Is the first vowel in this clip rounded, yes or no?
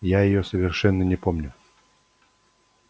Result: no